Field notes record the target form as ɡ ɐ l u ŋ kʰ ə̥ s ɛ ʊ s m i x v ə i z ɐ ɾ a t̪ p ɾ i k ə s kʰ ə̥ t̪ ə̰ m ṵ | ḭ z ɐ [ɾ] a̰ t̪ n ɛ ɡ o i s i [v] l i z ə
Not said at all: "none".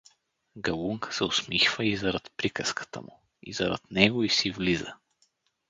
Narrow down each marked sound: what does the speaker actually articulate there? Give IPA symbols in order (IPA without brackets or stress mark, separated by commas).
ɾ, v